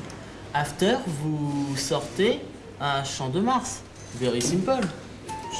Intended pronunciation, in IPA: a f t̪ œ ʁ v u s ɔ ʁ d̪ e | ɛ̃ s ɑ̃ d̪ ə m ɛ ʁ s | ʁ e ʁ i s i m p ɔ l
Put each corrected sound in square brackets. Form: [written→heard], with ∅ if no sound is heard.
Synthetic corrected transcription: a f t̪ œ ʁ v u s ɔ ʁ [d̪→t̪] e | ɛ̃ [s→ʃ] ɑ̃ d̪ ə m [ɛ→a] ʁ s | [ʁ→v] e ʁ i s i m p ɔ l